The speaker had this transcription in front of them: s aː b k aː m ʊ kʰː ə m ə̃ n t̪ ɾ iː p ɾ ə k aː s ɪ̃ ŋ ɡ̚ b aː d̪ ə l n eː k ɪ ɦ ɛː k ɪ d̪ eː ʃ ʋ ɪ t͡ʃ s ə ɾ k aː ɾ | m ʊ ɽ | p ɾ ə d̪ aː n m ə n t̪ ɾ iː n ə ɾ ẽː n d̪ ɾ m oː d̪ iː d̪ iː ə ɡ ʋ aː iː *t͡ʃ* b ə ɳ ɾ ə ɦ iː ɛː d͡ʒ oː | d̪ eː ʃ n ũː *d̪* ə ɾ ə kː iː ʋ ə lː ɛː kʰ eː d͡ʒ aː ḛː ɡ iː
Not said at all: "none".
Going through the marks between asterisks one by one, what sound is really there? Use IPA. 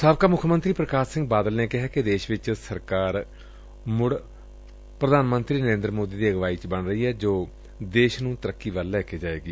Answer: t͡ʃ, t̪

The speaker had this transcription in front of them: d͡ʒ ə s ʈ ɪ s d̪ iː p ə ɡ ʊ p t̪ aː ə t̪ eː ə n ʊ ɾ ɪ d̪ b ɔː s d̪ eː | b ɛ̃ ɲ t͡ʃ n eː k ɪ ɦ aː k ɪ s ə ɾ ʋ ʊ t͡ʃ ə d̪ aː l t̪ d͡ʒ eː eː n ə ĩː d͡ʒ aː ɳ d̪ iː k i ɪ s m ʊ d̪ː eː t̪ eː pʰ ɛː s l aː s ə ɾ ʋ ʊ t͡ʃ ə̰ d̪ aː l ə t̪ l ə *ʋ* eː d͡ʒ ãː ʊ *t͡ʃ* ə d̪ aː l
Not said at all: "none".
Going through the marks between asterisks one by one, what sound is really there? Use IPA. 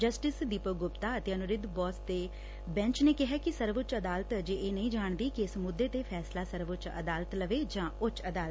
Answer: ʋ, t͡ʃ

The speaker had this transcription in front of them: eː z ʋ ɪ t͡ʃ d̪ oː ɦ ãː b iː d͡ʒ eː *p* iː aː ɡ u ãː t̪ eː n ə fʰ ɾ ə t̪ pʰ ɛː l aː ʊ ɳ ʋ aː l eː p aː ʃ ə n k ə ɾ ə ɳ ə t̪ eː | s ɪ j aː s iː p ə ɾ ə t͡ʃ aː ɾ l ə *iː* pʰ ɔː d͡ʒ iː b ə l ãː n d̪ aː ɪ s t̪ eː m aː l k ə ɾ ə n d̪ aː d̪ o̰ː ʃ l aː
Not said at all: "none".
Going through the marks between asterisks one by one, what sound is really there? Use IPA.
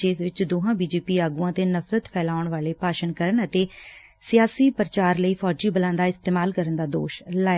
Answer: p, iː

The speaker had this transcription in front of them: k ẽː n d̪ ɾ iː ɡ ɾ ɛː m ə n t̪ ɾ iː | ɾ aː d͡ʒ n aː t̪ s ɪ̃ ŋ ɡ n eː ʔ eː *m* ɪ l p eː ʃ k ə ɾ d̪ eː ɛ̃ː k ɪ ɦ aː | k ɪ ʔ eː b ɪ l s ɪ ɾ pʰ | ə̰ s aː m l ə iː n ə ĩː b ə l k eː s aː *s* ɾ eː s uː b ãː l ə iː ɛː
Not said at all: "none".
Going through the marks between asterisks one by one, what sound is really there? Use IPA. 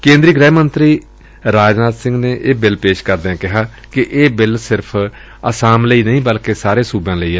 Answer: b, none

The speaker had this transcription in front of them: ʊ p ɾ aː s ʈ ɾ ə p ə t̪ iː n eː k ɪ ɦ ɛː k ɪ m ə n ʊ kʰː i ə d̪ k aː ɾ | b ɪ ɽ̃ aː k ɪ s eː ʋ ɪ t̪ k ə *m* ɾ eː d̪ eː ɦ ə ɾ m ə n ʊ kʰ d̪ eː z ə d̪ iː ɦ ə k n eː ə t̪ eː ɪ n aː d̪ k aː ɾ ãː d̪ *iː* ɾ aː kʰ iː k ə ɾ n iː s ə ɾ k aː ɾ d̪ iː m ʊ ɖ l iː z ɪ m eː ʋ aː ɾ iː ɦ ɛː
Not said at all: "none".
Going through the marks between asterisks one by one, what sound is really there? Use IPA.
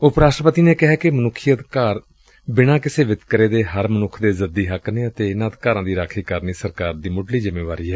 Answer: none, iː

